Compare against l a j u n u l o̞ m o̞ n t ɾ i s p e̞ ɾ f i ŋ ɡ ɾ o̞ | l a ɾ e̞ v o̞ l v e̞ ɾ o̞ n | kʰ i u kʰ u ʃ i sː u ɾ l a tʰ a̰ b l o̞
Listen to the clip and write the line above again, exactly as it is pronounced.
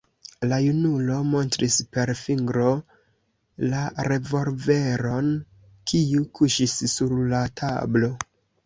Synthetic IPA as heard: l a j u n u l o̞ m o̞ n t ɾ i s p e̞ ɾ f i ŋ ɡ ɾ o̞ | l a ɾ e̞ v o̞ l v e̞ ɾ o̞ n | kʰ i u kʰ u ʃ i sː u ɾ l a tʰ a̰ b l o̞

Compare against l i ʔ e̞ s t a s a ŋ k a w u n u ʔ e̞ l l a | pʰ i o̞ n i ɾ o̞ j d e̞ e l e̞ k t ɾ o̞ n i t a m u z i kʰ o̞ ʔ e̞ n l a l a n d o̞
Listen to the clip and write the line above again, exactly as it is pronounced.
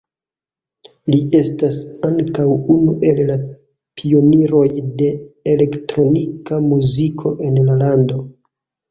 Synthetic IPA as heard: l i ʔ e̞ s t a s a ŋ k a w u n u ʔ e̞ l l a | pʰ i o̞ n i ɾ o̞ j d e̞ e l e̞ k t ɾ o̞ n i k a m u z i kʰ o̞ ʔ e̞ n l a l a n d o̞

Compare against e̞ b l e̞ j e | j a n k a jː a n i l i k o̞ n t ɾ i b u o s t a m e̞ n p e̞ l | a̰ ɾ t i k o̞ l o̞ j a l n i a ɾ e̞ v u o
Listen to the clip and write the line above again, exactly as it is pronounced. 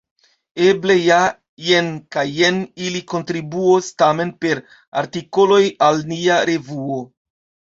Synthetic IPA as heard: e̞ b l e̞ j a | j e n k a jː e n i l i k o̞ n t ɾ i b u o s t a m e̞ n p e̞ ɾ | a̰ ɾ t i k o̞ l o̞ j a l n i a ɾ e̞ v u o

